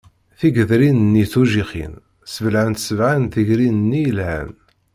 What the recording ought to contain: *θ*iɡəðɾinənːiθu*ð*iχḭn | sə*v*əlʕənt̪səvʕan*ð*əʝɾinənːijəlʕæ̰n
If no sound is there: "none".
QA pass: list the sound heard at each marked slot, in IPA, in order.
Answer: θ, ʒ, v, θ

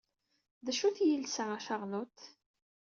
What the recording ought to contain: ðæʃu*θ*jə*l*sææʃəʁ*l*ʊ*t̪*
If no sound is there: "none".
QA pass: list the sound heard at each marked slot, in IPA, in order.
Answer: θ, l, l, t̪

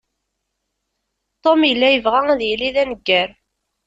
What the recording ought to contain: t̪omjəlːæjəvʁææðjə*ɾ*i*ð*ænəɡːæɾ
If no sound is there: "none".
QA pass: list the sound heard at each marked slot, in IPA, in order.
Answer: l, ð

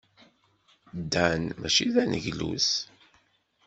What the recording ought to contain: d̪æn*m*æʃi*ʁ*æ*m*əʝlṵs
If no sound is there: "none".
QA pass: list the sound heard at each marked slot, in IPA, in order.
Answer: m, ð, n

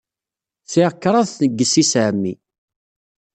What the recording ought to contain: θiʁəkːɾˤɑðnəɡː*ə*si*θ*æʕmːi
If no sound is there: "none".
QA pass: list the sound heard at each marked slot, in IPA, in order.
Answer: ə, s

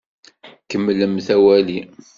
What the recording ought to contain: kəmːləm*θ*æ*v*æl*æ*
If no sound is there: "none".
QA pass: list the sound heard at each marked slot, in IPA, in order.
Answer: θ, w, i

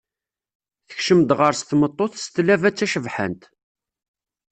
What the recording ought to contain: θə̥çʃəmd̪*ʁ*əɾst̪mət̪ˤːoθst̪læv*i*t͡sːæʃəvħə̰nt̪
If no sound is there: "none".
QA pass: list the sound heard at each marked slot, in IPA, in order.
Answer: ʁ, æ

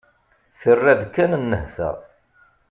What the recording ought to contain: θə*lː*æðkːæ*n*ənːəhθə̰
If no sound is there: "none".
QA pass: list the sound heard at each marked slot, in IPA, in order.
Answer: rː, n

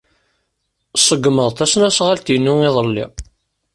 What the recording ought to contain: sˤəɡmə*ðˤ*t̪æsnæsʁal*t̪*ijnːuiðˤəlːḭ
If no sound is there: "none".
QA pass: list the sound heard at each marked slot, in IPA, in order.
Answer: ðˤ, t̪

